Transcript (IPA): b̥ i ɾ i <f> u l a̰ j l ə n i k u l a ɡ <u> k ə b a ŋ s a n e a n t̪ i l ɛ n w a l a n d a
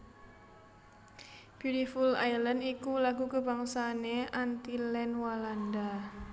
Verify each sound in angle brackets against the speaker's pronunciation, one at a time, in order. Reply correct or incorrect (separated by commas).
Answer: correct, correct